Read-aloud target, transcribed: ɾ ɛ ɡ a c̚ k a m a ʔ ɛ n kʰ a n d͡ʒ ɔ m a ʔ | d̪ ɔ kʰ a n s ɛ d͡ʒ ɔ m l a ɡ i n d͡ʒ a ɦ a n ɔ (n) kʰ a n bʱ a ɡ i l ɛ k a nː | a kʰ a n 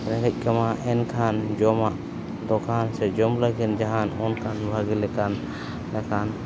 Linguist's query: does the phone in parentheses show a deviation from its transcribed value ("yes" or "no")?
no